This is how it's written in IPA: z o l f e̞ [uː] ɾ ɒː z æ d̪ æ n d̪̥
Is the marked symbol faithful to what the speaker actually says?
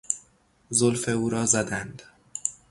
yes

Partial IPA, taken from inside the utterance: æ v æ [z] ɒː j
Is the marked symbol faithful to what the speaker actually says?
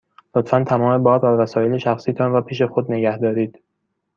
no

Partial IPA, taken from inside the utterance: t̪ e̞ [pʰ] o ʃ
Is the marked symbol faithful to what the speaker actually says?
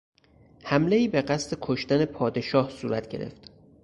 no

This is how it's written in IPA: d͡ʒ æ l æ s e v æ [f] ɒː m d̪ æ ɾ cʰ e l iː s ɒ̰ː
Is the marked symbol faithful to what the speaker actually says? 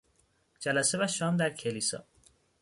no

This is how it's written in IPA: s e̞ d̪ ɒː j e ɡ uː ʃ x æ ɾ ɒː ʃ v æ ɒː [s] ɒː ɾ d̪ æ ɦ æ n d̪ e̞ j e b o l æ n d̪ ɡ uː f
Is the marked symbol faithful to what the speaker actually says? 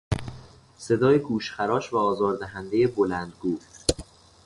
no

